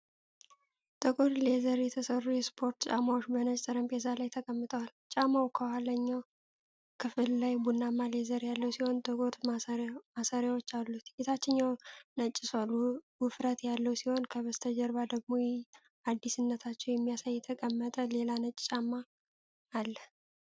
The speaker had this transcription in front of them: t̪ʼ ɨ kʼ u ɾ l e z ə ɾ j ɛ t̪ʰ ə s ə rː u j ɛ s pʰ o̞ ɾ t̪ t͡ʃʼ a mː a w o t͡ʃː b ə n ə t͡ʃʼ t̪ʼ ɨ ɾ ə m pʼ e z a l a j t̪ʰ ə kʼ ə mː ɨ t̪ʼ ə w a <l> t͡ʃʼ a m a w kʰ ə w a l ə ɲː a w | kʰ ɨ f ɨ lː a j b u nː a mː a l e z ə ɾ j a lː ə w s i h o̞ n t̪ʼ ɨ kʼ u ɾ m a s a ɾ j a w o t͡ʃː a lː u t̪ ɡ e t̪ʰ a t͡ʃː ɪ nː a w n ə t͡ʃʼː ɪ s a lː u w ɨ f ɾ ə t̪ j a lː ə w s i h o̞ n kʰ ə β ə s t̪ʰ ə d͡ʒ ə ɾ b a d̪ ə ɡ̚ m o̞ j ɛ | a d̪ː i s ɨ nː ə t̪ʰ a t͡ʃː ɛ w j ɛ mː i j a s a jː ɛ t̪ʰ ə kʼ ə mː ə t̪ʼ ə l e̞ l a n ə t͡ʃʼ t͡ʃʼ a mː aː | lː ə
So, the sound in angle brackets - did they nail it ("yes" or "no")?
yes